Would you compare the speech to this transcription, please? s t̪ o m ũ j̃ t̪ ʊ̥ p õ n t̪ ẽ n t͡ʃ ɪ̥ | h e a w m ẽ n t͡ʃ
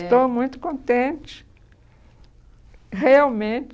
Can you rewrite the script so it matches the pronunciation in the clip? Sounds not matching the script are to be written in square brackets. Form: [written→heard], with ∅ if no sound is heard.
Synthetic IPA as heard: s t̪ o m ũ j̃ t̪ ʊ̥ [p→k] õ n t̪ ẽ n t͡ʃ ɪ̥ | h e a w m ẽ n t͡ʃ

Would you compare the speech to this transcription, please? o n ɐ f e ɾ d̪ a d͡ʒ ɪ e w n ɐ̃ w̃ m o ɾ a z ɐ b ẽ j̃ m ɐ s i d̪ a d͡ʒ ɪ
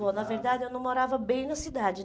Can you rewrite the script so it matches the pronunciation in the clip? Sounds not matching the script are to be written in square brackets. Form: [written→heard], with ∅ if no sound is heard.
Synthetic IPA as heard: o n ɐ [f→v] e ɾ d̪ a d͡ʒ ɪ e w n ɐ̃ w̃ m o ɾ a [z→v] ɐ b ẽ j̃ [m→n] ɐ s i d̪ a d͡ʒ ɪ

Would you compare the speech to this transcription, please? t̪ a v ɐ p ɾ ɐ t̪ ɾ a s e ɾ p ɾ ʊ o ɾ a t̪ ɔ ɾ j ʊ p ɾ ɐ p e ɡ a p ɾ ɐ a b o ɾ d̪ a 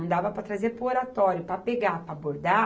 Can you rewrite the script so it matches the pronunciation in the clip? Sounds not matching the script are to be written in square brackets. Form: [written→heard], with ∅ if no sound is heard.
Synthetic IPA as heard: [t̪→d̪] a v ɐ p ɾ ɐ t̪ ɾ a [s→z] e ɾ p ɾ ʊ o ɾ a t̪ ɔ ɾ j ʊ p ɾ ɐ p e ɡ a p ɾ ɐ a b o ɾ d̪ a

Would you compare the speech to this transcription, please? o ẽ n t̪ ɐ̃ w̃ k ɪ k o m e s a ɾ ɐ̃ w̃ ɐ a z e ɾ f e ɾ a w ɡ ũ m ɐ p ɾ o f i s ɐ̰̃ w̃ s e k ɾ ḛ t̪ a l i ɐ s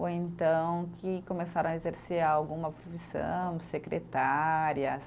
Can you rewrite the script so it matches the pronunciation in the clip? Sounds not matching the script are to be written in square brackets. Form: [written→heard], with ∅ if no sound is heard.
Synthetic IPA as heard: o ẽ n t̪ ɐ̃ w̃ k ɪ k o m e s a ɾ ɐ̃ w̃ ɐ [a→e] z e ɾ [f→s] e ɾ a w ɡ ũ m ɐ p ɾ o f i s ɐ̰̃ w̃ s e k ɾ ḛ t̪ a [l→ɾ] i ɐ s

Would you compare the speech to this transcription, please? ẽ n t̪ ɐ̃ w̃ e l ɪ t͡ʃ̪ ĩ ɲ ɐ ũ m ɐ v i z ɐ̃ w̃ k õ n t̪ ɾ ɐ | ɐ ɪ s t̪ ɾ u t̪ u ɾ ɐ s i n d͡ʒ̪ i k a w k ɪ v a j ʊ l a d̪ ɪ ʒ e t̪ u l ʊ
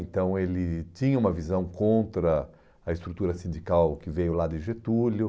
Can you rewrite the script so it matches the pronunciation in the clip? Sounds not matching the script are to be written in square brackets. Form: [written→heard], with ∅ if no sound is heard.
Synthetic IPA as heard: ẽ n t̪ ɐ̃ w̃ e l ɪ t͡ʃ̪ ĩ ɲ ɐ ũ m ɐ v i z ɐ̃ w̃ k õ n t̪ ɾ ɐ | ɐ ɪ s t̪ ɾ u t̪ u ɾ ɐ s [i→ĩ] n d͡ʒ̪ i k a w k ɪ v [a→e] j ʊ l a d̪ ɪ ʒ e t̪ u l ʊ

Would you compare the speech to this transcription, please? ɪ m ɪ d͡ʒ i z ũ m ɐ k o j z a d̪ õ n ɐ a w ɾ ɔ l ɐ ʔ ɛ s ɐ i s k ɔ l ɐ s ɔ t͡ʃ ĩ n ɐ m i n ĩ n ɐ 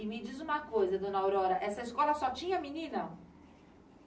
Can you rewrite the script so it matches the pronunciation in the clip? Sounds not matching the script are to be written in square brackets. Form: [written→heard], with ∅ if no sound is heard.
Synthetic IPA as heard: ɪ m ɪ d͡ʒ i z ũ m ɐ k o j z [a→ɐ] d̪ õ n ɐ a w ɾ ɔ [l→ɾ] ɐ ʔ ɛ s ɐ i s k ɔ l ɐ s ɔ t͡ʃ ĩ [n→ɲ] ɐ m i n ĩ n ɐ

